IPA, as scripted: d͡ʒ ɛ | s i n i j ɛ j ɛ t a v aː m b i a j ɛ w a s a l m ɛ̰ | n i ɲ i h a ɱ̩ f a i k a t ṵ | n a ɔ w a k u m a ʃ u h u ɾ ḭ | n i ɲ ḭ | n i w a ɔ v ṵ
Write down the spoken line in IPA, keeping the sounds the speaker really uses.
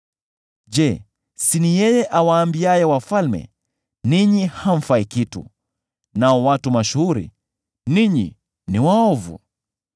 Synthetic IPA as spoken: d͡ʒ ɛ | s i n i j ɛ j ɛ ʔ a w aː m b i a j ɛ w a f a l m ɛ̰ | n i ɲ i h a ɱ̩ f a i k i t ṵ | n a ɔ w a t u m a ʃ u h u ɾ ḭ | n i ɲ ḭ | n i w a ɔ v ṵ

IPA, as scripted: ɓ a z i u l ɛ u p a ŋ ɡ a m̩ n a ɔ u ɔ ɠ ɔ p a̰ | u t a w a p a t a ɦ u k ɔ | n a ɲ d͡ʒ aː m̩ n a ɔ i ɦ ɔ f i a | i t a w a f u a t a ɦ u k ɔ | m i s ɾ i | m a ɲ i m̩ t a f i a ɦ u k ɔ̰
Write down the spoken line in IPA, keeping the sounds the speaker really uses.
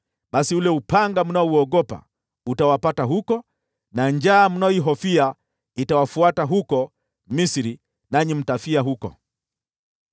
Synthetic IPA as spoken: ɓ a s i u l ɛ u p a ŋ ɡ a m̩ n a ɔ u ɔ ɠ ɔ p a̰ | u t a w a p a t a ɦ u k ɔ | n a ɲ d͡ʒ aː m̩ n a ɔ i ɦ ɔ f i a | i t a w a f u a t a ɦ u k ɔ | m i s ɾ i | n a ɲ i m̩ t a f i a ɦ u k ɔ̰

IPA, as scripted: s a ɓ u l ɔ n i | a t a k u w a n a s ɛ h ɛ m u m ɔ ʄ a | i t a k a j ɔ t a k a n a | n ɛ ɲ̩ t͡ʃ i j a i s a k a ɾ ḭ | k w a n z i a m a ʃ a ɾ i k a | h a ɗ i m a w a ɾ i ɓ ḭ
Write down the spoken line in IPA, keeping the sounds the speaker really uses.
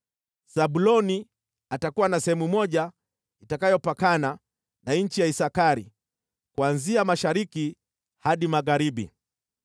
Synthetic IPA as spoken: s a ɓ u l ɔ n i | a t a k u w a n a s ɛ h ɛ m u m ɔ ʄ a | i t a k a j ɔ p a k a n a | n a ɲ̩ t͡ʃ i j a i s a k a ɾ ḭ | k w a n z i a m a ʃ a ɾ i k i | h a ɗ i m a ɣ a ɾ i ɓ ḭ

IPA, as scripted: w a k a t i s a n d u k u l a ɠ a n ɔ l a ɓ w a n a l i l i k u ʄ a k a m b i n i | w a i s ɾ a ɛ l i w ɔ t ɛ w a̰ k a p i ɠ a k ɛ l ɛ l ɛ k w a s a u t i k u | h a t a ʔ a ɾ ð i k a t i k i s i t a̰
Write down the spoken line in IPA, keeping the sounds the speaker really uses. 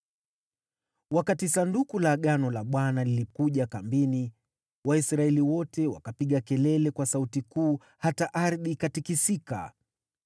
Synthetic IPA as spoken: w a k a t i s a n d u k u l a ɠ a n ɔ l a ɓ w a n a l i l i k u ʄ a k a m b i n i | w a i s ɾ a ɛ l i w ɔ t ɛ w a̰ k a p i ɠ a k ɛ l ɛ l ɛ k w a s a u t i k uː | h a t a ʔ a ɾ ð i k a t i k i s i k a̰

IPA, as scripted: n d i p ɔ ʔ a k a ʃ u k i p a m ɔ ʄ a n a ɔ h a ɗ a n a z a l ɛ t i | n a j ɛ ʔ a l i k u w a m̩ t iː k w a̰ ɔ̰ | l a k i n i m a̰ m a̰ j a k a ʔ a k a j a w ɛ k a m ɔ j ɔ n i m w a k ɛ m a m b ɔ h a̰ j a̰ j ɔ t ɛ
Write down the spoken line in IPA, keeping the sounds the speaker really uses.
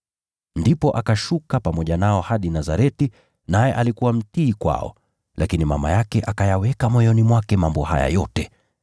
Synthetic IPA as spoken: n d i p ɔ ʔ a k a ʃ u k a p a m ɔ ʄ a n a ɔ h a ɗ i n a z a ɾ ɛ t i | n a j ɛ ʔ a l i k u w a m̩ t iː k w a̰ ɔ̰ | l a k i n i m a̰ m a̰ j a k ɛ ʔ a k a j a w ɛ k a m ɔ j ɔ n i m w a k ɛ m a m b ɔ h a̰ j a̰ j ɔ t ɛ

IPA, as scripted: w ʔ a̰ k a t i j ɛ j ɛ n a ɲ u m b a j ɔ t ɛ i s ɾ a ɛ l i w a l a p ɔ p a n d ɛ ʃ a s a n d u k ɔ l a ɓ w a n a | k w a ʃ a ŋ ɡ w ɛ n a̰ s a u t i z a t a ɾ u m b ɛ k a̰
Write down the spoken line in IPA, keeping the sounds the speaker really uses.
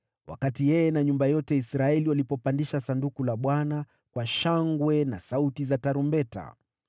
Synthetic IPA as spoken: w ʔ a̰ k a t i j ɛ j ɛ n a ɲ u m b a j ɔ t ɛ i s ɾ a ɛ l i w a l i p ɔ p a n d i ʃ a s a n d u k u l a ɓ w a n a | k w a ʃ a ŋ ɡ w ɛ n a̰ s a u t i z a t a ɾ u m b ɛ t a̰

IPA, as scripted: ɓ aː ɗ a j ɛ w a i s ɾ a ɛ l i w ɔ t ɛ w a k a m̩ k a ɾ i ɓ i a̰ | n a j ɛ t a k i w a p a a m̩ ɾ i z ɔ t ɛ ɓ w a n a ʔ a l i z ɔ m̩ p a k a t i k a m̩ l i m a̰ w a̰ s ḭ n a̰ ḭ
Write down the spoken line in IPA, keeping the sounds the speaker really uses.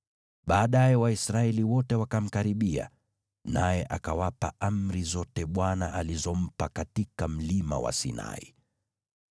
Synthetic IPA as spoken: ɓ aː ɗ a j ɛ w a i s ɾ a ɛ l i w ɔ t ɛ w a k a m̩ k a ɾ i ɓ i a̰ | n a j ɛ ʔ a k a w a p a a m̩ ɾ i z ɔ t ɛ ɓ w a n a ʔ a l i z ɔ m̩ p a k a t i k a m̩ l i m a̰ w a̰ s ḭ n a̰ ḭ

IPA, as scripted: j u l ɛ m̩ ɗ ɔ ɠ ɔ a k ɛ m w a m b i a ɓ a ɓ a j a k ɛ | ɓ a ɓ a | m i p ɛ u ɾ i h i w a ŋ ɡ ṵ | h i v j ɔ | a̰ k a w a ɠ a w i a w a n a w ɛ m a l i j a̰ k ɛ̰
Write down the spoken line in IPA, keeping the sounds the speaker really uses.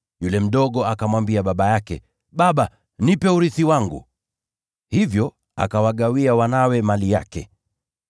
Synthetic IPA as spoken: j u l ɛ m̩ ɗ ɔ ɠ ɔ a k a m w a m b i a ɓ a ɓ a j a k ɛ | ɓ a ɓ a | n i p ɛ u ɾ i θ i w a ŋ ɡ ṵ | h i v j ɔ | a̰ k a w a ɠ a w i a w a n a w ɛ m a l i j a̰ k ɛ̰

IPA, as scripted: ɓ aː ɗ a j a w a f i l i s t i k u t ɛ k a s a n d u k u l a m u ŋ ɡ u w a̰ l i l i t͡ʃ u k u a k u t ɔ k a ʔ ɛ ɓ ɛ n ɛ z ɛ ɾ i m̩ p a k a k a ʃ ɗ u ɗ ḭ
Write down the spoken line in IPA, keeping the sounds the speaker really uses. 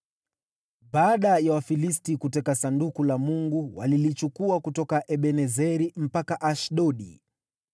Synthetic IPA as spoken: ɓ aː ɗ a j a w a f i l i s t i k u t ɛ k a s a n d u k u l a m u ŋ ɡ u w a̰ l i l i t͡ʃ u k u a k u t ɔ k a ʔ ɛ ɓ ɛ n ɛ z ɛ ɾ i m̩ p a k a ʔ a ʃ ɗ ɔ ɗ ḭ

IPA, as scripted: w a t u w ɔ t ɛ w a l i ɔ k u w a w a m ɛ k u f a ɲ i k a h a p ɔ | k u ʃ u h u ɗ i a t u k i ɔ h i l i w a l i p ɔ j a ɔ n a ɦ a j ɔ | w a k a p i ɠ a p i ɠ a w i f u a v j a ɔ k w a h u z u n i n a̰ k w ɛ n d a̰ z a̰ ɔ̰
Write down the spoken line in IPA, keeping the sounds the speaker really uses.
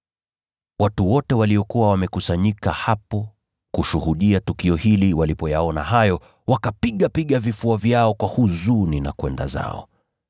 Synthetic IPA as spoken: w a t u w ɔ t ɛ w a l i ɔ k u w a w a m ɛ k u s a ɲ i k a h a p ɔ | k u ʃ u h u ɗ i a t u k i ɔ h i l i w a l i p ɔ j a ɔ n a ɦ a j ɔ | w a k a p i ɠ a p i ɠ a v i f u a v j a ɔ k w a h u z u n i n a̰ k w ɛ n d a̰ z a̰ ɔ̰

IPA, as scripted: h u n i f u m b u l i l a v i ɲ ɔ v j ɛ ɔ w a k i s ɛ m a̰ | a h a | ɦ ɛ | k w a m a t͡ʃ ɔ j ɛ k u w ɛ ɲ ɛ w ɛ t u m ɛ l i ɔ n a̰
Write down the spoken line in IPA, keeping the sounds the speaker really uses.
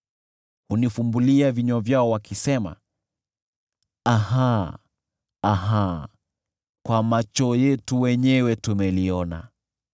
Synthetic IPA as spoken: h u n i f u m b u l i a v i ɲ ɔ v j a ɔ w a k i s ɛ m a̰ | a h a | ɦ a | k w a m a t͡ʃ ɔ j ɛ t u w ɛ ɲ ɛ w ɛ t u m ɛ l i ɔ n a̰

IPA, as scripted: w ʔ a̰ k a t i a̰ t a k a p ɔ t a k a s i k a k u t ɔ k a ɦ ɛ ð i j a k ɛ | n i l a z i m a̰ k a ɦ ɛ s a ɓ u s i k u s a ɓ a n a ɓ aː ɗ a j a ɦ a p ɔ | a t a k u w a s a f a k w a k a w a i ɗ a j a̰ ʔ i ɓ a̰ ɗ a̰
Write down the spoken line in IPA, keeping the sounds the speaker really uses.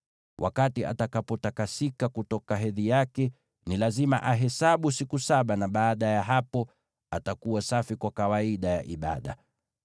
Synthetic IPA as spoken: w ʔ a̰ k a t i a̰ t a k a p ɔ t a k a s i k a k u t ɔ k a ɦ ɛ ð i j a k ɛ | n i l a z i m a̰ ʔ a ɦ ɛ s a ɓ u s i k u s a ɓ a n a ɓ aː ɗ a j a ɦ a p ɔ | a t a k u w a s a f i k w a k a w a i ɗ a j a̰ ʔ i ɓ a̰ ɗ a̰

